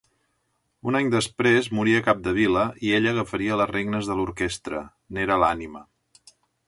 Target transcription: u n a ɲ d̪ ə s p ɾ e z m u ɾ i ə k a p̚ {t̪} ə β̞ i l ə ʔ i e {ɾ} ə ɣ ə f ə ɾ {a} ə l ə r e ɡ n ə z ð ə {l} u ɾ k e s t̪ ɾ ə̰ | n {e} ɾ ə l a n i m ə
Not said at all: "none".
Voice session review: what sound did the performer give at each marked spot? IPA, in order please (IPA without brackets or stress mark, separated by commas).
d̪, ʎ, i, l, e